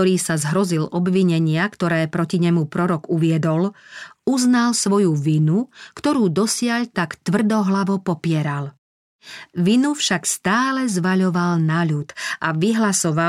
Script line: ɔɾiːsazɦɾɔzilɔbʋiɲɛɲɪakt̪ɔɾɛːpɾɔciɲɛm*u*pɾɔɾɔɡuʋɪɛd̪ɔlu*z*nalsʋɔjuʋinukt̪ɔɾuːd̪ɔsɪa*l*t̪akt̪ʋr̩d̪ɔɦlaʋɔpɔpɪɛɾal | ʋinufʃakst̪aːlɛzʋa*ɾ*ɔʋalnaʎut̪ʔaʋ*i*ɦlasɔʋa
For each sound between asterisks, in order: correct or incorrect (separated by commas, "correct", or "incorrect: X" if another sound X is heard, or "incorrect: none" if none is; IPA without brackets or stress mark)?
correct, correct, incorrect: ʎ, incorrect: ʎ, correct